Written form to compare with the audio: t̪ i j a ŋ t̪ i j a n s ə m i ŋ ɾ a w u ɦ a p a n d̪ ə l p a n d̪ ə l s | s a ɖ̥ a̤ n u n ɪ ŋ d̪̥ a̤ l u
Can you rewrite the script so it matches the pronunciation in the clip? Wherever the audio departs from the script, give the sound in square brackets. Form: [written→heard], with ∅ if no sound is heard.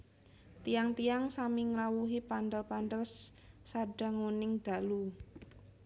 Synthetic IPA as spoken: t̪ i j a ŋ t̪ i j a [n→ŋ] s [ə→a] m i ŋ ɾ a w u ɦ [a→i] p a n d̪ ə l p a n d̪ ə l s | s a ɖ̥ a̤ [n→ŋ] u n ɪ ŋ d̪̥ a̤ l u